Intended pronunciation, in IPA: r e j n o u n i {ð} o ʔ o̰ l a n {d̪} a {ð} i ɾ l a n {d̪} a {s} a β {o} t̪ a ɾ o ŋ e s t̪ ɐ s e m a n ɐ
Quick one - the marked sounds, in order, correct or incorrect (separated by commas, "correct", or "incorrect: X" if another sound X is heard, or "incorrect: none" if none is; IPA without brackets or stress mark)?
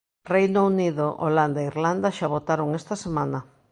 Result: correct, correct, incorrect: none, correct, incorrect: ʃ, correct